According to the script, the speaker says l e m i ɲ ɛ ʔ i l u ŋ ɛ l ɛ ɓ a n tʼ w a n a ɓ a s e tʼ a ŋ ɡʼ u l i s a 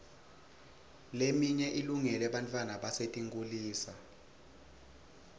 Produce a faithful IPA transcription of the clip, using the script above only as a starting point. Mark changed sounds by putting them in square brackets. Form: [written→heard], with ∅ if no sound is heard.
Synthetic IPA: l e m i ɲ ɛ ʔ i l u ŋ ɛ l ɛ ɓ a n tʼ w a n a ɓ a s e tʼ [a→i] ŋ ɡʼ u l [i→iː] s a